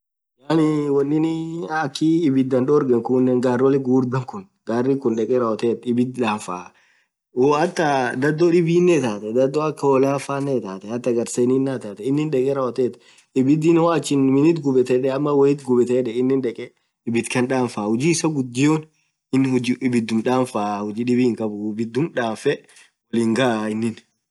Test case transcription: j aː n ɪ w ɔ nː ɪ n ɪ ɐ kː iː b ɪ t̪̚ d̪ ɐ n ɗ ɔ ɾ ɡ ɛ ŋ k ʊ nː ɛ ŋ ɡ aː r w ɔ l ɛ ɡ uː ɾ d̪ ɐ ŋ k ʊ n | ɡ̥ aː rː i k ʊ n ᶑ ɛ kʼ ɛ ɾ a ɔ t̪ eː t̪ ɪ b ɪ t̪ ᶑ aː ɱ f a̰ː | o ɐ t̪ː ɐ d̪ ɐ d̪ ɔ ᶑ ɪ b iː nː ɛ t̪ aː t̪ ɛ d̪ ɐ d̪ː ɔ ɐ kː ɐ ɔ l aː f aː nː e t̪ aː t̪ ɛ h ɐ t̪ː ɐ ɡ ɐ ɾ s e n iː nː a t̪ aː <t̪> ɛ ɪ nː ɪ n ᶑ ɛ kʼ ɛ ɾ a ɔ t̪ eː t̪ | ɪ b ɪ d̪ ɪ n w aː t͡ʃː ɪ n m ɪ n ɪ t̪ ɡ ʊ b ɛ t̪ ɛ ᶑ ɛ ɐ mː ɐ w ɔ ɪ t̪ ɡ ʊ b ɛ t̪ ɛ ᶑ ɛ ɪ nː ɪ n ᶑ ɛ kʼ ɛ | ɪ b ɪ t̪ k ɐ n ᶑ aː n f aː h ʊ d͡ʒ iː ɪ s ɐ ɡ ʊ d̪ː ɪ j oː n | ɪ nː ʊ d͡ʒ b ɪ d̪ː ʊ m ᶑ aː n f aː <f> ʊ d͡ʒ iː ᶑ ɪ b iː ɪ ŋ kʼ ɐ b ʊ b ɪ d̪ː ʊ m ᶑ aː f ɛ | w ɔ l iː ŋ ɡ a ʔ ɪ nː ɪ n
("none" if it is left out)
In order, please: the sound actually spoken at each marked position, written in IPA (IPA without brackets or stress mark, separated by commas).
t̪, h